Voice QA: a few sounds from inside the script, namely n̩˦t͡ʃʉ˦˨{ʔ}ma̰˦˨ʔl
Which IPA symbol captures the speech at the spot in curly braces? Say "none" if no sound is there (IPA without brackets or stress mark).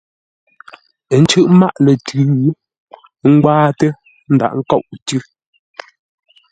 ʔ